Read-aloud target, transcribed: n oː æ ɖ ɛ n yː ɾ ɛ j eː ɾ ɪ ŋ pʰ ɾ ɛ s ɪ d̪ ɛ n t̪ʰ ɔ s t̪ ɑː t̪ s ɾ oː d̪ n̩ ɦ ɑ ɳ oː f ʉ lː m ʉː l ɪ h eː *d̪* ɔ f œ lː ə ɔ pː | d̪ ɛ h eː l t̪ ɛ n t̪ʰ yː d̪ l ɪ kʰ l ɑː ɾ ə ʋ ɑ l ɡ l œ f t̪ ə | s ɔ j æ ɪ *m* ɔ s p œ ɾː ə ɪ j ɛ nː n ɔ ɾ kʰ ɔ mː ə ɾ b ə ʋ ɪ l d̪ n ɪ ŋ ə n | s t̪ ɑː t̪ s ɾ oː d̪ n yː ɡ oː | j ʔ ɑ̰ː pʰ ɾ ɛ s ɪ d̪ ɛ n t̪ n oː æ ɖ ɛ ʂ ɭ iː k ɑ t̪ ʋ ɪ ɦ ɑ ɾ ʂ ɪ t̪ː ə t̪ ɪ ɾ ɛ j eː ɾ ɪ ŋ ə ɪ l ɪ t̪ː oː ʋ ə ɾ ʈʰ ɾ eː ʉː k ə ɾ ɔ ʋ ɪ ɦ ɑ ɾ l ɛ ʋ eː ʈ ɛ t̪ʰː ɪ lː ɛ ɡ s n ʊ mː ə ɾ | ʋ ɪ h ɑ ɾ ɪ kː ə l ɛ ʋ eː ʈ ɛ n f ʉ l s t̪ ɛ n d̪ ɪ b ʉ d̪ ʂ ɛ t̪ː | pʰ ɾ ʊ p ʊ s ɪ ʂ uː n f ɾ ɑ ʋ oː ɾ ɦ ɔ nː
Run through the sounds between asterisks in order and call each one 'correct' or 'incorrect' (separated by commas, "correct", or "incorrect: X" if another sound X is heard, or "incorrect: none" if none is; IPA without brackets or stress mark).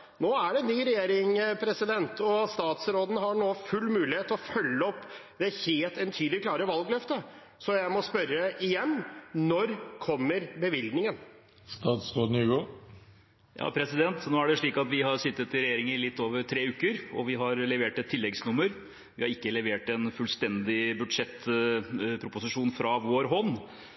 incorrect: t̪, correct